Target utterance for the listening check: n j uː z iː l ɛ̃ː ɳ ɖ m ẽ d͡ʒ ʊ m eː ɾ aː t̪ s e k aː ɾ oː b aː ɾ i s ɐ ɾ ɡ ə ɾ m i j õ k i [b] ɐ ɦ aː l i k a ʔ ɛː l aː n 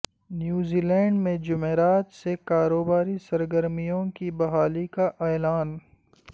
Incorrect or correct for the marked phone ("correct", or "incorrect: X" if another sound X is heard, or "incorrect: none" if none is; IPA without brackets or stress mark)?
correct